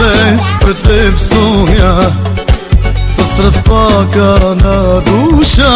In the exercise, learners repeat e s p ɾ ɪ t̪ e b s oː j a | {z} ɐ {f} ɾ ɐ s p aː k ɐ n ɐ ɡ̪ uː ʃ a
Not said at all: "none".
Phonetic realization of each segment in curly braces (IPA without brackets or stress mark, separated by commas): s, s